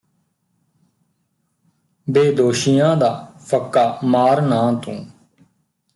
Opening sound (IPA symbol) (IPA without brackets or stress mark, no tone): b